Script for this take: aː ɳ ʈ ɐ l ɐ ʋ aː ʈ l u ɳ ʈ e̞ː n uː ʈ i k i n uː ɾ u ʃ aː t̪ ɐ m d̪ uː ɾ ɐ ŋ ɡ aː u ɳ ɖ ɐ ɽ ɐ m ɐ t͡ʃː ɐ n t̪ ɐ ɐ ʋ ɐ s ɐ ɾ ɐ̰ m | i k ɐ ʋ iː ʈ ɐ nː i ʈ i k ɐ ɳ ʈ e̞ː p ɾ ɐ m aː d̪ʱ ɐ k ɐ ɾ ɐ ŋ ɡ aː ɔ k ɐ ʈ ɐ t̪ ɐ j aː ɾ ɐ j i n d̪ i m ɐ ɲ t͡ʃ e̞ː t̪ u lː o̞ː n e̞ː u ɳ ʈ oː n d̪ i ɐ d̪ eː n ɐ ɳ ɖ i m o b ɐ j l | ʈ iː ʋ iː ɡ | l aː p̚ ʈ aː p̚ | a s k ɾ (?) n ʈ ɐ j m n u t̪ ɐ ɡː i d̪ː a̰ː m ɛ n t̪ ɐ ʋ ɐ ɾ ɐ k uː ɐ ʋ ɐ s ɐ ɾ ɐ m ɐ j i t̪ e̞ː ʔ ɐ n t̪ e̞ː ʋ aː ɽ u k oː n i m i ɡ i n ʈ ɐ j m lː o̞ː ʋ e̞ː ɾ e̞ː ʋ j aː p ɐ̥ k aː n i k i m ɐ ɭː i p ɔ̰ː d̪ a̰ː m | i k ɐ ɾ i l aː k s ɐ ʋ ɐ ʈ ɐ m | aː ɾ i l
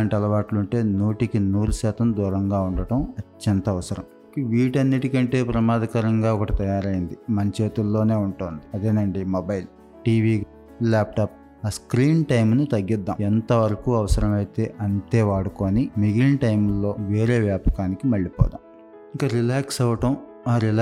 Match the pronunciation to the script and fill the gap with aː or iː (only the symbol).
iː